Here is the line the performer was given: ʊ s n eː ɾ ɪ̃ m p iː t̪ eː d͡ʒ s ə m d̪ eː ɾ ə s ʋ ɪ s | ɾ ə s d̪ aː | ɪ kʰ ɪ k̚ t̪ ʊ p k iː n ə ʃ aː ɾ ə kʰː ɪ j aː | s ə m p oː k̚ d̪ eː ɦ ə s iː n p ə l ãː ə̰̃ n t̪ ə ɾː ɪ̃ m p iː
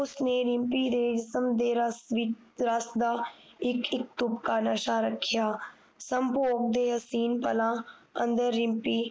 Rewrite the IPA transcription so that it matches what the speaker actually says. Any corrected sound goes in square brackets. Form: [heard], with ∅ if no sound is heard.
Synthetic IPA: ʊ s n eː ɾ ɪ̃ m p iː [d̪] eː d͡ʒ s ə m d̪ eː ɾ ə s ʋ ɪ [∅] | ɾ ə s d̪ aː | ɪ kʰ ɪ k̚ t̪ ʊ p k [aː] n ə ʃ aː ɾ ə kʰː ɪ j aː | s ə m p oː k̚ d̪ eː ɦ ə s iː n p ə l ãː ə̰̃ n [d̪] ə ɾː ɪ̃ m p iː